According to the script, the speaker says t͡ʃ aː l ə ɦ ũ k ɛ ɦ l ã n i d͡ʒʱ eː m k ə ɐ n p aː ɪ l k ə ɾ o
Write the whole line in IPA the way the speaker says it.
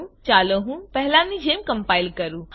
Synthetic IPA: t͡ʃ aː l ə ɦ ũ p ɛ ɦ l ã n i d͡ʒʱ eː m k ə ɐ m p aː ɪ l k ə ɾ u